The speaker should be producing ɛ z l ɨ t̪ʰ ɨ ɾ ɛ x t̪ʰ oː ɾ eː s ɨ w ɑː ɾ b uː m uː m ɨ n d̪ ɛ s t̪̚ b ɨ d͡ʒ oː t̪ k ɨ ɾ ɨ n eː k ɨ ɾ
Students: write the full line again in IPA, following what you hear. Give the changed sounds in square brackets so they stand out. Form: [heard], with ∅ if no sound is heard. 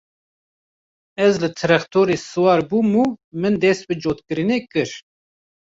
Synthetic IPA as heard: ɛ z l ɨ t̪ʰ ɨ ɾ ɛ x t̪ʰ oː ɾ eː s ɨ w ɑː ɾ b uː m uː m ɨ n d̪ ɛ s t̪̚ b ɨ d͡ʒ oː t̪ k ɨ ɾ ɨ n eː k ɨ ɾ